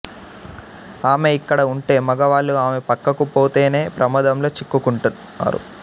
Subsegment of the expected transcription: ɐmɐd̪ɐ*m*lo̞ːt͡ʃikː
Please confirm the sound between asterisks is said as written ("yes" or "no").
yes